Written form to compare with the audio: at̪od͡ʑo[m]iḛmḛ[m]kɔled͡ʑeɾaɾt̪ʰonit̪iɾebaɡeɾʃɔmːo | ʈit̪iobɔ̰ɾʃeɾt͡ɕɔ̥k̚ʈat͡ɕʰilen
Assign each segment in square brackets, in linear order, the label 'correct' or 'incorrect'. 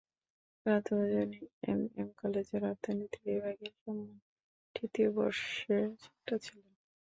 incorrect: n, correct

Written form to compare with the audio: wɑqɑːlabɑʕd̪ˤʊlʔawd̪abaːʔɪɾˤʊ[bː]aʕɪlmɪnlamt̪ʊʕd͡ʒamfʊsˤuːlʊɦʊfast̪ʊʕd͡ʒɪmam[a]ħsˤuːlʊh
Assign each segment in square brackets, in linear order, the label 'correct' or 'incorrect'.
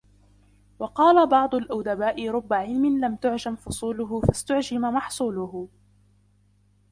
correct, incorrect: ɑ

